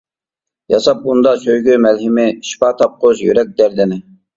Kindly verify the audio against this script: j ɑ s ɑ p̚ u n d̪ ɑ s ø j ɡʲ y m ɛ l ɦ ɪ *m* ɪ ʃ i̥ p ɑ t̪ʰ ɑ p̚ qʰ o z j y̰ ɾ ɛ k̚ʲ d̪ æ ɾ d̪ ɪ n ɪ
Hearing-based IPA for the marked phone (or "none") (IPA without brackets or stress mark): m